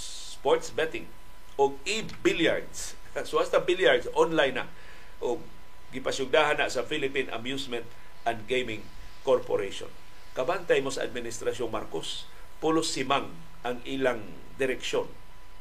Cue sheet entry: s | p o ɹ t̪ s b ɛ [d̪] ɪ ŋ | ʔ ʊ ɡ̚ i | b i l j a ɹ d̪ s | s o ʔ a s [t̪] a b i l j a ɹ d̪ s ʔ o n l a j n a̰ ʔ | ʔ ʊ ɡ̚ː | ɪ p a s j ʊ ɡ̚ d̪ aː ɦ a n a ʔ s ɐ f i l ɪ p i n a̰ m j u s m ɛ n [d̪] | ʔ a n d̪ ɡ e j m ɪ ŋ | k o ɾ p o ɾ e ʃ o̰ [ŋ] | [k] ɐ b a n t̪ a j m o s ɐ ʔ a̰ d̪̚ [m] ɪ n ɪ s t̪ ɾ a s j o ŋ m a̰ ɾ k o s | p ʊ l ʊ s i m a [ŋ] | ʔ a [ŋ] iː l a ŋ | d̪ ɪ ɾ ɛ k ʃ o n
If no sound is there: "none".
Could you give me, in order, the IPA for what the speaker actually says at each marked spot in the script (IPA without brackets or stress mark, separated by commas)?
t̪, t̪, t̪, n, k, m, ŋ, ŋ